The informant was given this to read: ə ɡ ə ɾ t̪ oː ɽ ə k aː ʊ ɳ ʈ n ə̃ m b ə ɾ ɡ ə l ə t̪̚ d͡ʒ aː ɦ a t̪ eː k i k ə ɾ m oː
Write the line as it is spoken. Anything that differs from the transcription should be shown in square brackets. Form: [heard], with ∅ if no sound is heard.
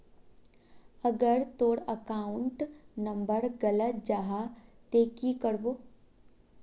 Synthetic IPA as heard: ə ɡ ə ɾ t̪ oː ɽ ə k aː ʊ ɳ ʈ n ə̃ m b ə ɾ ɡ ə l ə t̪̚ d͡ʒ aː ɦ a t̪ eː k i k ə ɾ [b] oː